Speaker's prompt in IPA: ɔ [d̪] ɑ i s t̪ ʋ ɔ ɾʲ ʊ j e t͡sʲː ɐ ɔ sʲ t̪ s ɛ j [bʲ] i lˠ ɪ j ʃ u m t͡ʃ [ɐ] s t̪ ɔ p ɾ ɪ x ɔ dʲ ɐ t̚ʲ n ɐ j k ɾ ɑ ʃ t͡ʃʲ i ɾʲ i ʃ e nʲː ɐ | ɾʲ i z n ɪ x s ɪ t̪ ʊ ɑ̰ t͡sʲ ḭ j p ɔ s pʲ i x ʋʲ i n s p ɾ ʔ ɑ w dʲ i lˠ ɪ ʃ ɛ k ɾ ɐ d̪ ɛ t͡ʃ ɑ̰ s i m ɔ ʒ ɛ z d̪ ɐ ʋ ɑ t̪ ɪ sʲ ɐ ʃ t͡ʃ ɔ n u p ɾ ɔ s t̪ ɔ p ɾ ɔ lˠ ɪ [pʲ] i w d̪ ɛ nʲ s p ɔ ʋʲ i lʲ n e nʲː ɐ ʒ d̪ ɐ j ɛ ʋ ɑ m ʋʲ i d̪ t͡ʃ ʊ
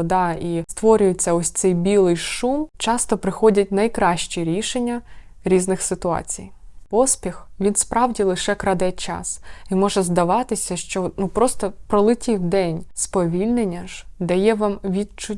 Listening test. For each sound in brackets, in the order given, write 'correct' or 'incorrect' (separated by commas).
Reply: correct, correct, incorrect, incorrect